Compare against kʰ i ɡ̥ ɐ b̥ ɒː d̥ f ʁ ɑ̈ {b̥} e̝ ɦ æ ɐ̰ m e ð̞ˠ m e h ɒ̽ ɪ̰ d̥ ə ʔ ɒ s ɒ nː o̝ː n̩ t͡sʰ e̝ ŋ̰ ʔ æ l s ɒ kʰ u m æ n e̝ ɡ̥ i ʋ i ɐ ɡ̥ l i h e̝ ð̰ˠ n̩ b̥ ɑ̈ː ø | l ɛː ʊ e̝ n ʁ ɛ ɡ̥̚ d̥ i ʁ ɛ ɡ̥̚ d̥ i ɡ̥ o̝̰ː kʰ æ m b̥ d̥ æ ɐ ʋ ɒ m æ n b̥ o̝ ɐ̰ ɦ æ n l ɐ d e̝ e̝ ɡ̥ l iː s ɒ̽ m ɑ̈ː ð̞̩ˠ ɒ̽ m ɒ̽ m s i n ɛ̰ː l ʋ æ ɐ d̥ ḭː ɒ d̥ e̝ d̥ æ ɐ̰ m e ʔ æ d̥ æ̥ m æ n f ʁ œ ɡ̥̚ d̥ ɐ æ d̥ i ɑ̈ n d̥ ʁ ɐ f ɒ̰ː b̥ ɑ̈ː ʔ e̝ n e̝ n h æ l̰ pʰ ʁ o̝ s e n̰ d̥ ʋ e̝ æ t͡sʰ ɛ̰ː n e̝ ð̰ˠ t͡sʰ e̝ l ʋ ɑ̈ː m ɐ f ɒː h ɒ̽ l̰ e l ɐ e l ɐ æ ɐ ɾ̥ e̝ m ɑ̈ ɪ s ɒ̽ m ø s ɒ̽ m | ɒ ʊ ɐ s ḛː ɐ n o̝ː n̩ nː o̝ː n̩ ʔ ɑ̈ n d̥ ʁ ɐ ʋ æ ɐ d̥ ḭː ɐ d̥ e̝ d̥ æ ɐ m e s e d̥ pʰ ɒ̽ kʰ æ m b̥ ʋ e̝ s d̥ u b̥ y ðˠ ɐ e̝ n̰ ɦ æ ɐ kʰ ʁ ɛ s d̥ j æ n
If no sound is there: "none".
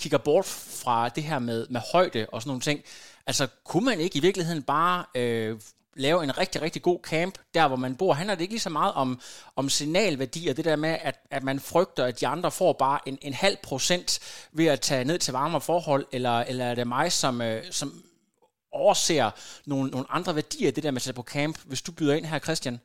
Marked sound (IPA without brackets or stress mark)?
d̥